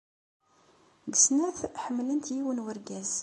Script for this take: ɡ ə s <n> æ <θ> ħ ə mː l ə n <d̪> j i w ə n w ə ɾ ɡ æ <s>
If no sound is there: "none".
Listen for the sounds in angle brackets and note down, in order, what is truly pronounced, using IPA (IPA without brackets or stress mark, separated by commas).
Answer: n, θ, t̪, z